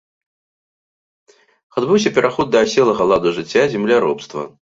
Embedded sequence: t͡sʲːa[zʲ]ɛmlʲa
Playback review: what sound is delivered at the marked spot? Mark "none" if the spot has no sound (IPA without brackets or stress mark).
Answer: zʲ